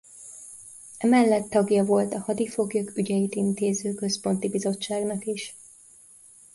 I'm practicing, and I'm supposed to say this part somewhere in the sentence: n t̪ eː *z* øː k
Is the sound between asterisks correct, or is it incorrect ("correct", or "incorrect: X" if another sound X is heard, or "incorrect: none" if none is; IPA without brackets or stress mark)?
correct